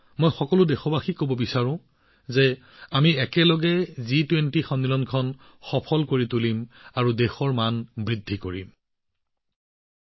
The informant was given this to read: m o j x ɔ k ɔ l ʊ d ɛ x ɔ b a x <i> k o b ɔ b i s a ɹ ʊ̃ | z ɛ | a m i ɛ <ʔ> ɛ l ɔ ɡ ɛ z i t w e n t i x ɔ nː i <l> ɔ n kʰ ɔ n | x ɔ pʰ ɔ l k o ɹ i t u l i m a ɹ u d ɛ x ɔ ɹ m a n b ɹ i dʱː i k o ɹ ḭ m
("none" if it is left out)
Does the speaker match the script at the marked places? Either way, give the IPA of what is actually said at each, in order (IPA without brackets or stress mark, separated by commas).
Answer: i, k, l